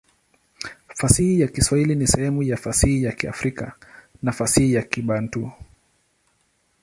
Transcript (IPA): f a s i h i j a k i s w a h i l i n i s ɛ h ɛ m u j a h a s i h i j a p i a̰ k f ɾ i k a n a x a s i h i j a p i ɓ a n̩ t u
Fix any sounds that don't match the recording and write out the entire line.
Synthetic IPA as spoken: f a s i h i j a k i s w a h i l i n i s ɛ h ɛ m u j a f a s i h i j a k i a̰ f ɾ i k a n a f a s i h i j a k i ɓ a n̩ t u